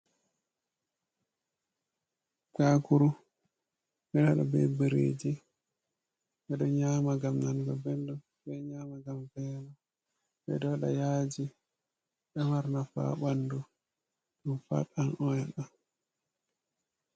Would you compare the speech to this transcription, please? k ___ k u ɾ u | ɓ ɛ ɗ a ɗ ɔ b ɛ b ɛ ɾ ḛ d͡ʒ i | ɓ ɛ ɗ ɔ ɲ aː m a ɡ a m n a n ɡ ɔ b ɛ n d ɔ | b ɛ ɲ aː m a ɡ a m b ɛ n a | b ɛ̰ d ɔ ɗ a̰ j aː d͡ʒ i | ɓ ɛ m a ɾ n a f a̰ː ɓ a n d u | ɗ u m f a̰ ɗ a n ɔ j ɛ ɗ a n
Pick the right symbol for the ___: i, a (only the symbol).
a